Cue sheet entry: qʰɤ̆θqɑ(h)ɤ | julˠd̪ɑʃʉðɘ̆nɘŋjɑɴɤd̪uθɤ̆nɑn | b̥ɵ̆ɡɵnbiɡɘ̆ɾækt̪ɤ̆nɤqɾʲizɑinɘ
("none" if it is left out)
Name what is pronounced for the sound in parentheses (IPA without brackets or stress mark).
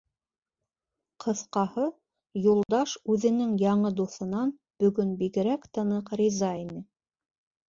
h